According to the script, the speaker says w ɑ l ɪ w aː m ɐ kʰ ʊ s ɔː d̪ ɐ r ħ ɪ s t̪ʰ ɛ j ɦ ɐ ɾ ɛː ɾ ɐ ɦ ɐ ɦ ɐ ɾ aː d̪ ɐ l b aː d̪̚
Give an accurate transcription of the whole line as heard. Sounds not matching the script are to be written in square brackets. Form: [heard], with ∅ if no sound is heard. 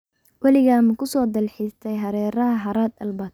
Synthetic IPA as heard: w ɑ l ɪ [ɣ] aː m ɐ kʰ ʊ s ɔː d̪ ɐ [l] ħ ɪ s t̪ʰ ɛ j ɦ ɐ ɾ ɛː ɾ ɐ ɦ ɐ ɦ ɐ ɾ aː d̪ ɐ l b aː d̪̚